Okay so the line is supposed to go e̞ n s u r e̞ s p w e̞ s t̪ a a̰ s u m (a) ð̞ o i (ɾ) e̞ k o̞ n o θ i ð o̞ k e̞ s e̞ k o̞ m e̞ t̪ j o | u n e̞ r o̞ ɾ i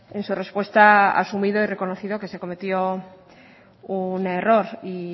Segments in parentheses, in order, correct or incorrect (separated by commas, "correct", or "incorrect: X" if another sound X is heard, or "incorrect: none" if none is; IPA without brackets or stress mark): incorrect: i, incorrect: r